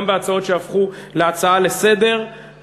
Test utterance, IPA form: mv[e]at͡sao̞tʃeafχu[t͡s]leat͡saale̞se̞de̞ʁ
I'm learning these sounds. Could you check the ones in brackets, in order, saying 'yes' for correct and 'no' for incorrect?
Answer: yes, no

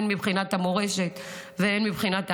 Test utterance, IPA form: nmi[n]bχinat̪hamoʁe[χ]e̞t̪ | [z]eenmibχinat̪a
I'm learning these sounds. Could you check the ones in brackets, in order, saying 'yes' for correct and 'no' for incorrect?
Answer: no, no, no

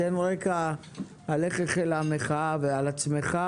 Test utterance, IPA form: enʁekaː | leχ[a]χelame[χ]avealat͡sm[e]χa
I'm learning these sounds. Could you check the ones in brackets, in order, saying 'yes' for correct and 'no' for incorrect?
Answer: no, yes, yes

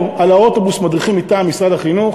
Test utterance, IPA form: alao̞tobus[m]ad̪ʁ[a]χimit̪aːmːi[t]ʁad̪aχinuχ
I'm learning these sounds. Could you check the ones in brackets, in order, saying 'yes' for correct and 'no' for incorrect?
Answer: yes, no, no

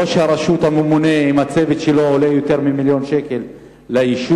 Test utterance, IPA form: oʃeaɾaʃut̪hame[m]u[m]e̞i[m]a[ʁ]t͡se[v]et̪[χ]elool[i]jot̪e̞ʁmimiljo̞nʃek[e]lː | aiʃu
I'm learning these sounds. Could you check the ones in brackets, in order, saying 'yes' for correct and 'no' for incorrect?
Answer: yes, no, yes, no, yes, no, no, yes

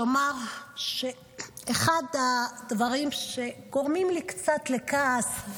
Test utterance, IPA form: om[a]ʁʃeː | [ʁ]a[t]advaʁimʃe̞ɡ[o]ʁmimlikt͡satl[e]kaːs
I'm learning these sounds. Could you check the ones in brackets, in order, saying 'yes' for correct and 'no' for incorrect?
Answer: yes, no, no, yes, yes

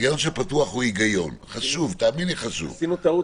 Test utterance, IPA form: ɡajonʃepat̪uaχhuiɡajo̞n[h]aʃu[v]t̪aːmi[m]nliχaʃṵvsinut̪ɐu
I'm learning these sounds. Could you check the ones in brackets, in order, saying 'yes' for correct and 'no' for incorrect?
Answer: no, yes, no

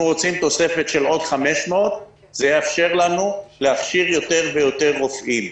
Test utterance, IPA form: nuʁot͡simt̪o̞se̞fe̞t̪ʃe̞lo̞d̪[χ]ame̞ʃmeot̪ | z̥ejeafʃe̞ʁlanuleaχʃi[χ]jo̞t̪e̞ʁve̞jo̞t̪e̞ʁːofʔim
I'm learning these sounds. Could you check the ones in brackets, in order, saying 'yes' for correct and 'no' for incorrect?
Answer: yes, no

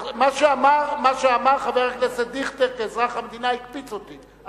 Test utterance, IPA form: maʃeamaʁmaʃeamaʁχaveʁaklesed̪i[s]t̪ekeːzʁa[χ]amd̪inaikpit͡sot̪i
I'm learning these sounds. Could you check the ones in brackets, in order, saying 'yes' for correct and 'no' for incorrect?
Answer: no, yes

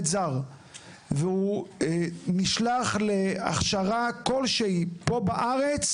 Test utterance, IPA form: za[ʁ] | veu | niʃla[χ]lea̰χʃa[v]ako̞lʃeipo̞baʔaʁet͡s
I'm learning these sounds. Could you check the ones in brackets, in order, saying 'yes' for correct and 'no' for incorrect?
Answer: yes, yes, no

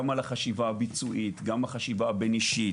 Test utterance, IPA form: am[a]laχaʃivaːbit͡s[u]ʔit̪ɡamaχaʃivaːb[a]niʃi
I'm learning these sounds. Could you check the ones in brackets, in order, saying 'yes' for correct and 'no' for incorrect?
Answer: yes, yes, no

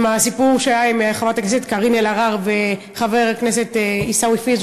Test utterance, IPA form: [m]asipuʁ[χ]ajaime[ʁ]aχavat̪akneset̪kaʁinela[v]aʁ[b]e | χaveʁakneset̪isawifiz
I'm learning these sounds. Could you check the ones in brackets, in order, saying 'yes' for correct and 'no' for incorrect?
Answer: yes, no, no, no, no

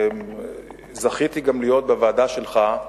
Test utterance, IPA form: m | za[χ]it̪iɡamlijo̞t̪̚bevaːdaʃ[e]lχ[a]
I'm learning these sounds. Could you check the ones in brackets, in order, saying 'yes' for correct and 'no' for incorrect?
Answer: yes, yes, yes

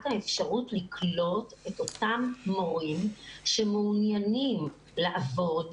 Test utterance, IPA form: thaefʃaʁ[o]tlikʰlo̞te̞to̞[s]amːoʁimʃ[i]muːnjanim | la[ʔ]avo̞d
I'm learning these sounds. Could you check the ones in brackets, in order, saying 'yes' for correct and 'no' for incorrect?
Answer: no, no, no, yes

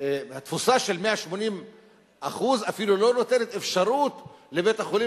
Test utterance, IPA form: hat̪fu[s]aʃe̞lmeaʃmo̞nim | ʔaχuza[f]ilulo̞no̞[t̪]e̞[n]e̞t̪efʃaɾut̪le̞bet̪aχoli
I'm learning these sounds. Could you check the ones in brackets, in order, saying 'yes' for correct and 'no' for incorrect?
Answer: yes, yes, yes, yes

